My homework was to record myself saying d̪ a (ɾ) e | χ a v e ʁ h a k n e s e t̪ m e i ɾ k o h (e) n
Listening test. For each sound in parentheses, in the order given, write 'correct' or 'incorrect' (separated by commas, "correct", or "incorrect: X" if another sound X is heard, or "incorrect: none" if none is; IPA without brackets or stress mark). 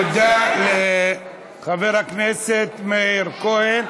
incorrect: l, correct